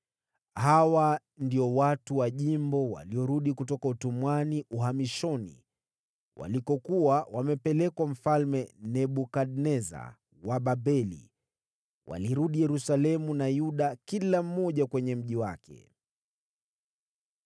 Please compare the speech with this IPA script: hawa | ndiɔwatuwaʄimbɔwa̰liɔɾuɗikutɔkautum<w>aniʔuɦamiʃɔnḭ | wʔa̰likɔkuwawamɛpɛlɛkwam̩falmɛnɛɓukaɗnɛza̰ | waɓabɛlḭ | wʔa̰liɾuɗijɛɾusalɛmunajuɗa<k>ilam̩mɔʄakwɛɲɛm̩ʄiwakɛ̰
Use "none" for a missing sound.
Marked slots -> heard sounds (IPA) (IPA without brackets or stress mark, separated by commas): w, k